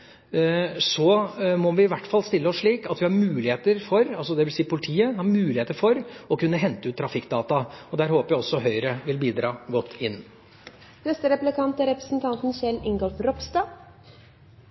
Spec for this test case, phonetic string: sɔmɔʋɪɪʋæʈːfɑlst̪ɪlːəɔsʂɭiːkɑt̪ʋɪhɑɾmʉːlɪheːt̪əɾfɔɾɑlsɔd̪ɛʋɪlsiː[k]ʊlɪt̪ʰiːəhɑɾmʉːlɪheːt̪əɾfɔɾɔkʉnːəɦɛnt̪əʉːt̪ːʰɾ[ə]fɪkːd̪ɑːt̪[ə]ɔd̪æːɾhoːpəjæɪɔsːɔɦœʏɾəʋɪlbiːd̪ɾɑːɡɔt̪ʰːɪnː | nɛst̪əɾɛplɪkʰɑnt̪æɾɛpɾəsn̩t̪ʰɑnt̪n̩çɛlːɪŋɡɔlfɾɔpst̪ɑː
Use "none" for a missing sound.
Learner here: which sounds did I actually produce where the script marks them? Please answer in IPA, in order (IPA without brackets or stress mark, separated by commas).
p, ɑ, ɑ